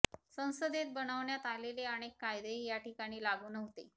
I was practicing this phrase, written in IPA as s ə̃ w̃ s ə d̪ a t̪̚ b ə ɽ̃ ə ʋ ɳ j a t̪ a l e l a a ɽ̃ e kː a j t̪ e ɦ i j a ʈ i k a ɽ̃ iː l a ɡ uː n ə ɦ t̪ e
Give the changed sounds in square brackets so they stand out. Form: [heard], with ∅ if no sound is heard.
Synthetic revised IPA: s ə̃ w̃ s ə d̪ [e] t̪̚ b ə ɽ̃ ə ʋ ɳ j a t̪ a l e l [e] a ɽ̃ e kː a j [d̪] e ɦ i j a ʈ i k a ɽ̃ iː l a ɡ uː n ə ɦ t̪ e